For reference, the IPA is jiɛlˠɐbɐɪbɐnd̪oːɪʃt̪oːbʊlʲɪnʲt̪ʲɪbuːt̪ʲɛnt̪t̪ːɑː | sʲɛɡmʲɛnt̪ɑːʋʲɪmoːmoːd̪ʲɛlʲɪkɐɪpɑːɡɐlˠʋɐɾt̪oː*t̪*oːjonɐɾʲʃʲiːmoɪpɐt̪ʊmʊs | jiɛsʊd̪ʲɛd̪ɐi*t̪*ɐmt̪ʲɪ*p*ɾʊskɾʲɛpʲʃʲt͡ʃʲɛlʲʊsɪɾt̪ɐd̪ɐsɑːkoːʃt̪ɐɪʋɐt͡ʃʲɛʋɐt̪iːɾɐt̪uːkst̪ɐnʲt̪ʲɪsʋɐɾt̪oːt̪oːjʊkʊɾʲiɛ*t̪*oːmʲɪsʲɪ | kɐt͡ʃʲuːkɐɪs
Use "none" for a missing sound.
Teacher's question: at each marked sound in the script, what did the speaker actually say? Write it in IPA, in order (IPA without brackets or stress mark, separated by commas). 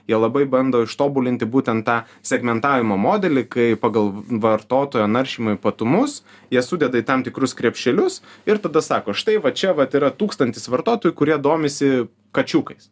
t̪, t̪, k, d̪